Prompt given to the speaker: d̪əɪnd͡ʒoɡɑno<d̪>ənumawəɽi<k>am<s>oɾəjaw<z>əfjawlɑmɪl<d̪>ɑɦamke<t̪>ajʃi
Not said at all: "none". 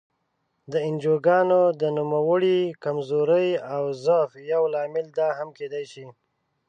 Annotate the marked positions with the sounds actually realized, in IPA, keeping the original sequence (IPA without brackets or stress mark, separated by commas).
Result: d̪, k, z, z, d̪, d̪